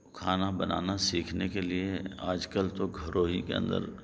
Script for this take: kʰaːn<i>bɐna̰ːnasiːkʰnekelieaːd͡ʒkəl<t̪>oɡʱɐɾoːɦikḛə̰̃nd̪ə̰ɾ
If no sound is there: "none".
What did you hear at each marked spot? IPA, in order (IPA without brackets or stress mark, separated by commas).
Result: a, t̪